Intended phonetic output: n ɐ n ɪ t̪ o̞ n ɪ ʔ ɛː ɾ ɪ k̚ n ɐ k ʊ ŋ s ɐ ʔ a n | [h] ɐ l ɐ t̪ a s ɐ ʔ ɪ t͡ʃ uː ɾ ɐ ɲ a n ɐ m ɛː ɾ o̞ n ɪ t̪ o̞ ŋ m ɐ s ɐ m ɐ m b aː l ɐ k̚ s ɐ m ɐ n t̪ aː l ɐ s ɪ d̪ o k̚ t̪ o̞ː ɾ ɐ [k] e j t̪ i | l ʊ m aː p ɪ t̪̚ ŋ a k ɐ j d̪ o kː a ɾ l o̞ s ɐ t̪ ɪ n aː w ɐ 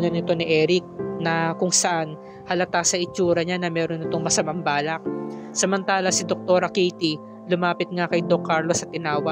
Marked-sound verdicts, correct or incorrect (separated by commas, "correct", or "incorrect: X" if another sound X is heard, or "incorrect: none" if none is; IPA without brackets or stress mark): correct, correct